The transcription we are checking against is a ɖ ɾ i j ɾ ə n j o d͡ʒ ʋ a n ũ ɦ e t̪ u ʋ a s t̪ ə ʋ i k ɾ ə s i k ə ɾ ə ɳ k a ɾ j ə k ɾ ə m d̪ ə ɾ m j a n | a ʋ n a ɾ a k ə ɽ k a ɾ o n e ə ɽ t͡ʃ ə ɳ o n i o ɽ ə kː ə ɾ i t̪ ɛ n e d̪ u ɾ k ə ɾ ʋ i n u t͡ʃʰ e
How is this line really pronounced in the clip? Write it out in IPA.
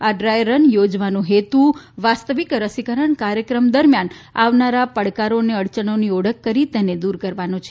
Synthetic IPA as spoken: a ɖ ɾ a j ɾ ə n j o d͡ʒ ʋ a n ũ ɦ e t̪ u ʋ a s t̪ ə ʋ i k ɾ ə s i k ə ɾ ə ɳ k a ɾ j ə k ɾ ə m d̪ ə ɾ m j a n | a ʋ n a ɾ a p ə ɽ k a ɾ o n e ə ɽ t͡ʃ ə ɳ o n i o ɽ ə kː ə ɾ i t̪ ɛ n e d̪ u ɾ k ə ɾ ʋ a n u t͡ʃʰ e